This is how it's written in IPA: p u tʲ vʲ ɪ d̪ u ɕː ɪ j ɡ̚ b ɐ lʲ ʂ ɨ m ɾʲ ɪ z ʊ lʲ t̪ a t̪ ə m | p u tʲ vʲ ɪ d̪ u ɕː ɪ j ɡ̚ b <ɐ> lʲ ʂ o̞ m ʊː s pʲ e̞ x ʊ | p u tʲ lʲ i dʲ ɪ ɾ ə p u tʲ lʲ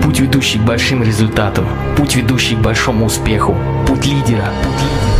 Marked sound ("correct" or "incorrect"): correct